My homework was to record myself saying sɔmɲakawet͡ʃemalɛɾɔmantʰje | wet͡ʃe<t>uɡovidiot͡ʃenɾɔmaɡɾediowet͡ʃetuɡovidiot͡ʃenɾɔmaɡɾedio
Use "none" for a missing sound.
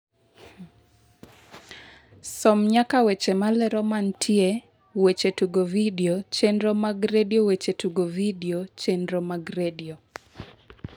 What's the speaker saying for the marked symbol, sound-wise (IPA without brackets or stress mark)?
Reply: t